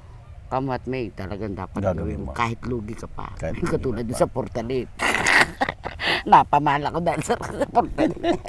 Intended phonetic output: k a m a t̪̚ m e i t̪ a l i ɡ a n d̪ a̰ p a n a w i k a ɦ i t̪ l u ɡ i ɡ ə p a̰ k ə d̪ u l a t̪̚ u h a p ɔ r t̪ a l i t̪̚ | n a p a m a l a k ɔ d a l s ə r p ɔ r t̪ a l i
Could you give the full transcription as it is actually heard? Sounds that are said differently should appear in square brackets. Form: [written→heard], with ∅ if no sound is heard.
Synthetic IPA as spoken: k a m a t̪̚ m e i t̪ a l [i→a] ɡ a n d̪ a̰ p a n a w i k a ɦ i t̪ l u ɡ i [ɡ→k] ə p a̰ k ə [d̪→t̪] u l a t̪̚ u [h→s] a p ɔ r t̪ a l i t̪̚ | n a p a m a l a k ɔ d a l s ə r p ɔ r t̪ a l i